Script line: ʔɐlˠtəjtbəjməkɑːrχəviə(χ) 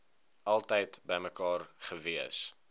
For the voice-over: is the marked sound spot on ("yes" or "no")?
no